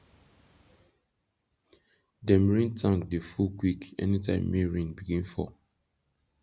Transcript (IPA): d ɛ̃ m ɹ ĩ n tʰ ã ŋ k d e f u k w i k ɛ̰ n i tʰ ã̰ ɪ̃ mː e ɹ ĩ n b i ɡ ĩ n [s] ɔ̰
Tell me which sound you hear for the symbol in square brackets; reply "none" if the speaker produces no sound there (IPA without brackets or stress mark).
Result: f